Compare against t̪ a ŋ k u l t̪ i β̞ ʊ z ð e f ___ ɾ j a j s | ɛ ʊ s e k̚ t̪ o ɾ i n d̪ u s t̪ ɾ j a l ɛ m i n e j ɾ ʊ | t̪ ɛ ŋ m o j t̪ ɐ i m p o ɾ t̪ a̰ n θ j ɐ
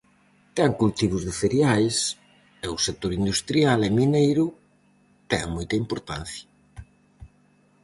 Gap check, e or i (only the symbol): e